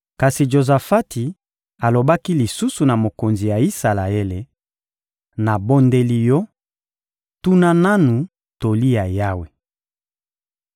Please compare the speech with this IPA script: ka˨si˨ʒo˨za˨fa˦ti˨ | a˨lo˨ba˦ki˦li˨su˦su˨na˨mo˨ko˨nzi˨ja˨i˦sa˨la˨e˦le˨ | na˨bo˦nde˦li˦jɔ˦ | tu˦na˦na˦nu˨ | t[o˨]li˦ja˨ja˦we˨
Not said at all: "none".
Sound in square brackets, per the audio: o˨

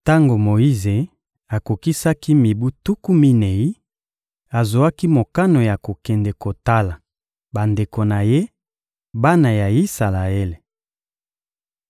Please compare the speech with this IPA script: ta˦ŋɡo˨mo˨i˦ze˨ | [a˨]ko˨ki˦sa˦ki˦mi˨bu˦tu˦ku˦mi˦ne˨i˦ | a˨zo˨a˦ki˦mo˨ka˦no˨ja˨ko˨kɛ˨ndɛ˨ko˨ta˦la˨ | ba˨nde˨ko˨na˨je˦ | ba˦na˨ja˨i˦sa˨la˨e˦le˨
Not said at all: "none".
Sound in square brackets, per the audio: a˨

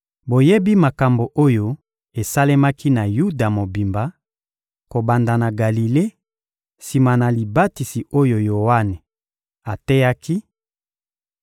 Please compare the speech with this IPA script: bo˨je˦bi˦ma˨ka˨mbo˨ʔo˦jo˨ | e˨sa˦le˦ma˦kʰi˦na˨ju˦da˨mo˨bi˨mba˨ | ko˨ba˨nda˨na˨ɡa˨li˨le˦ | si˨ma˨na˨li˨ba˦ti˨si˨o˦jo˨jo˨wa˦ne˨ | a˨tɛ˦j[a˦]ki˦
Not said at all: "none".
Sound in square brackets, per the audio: a˦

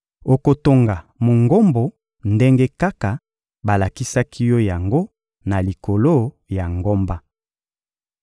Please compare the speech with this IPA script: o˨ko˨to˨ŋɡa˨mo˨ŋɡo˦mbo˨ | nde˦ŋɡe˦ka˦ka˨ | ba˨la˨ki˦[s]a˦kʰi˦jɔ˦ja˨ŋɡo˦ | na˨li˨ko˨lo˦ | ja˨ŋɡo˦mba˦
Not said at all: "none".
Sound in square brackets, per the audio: s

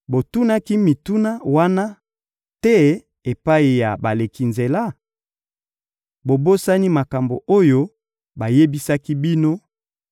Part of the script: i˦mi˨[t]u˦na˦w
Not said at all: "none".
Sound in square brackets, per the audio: t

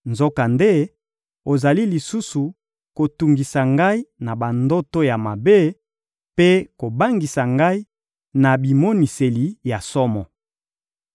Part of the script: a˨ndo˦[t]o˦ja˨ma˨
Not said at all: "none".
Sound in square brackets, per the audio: t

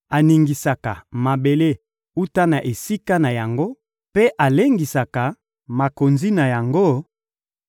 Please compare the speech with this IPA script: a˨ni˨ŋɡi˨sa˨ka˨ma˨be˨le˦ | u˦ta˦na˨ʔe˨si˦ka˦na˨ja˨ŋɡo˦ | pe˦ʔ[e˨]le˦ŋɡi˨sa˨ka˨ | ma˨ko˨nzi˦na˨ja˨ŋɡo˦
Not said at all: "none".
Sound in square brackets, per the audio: a˨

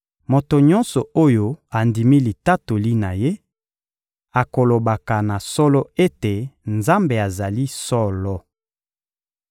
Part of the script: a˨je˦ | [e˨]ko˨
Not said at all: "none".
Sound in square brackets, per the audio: a˨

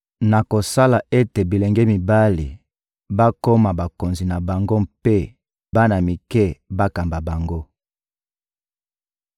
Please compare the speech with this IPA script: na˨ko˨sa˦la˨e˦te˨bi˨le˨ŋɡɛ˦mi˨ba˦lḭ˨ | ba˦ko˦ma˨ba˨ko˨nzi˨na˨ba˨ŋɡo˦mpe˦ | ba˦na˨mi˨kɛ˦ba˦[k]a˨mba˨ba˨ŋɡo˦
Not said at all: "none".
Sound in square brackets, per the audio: k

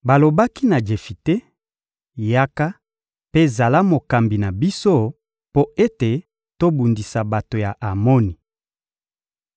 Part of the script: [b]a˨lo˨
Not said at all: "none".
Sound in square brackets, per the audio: b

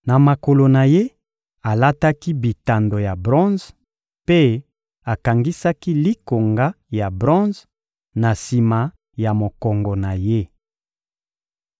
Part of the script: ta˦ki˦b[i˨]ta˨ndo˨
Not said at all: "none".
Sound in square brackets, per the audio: i˨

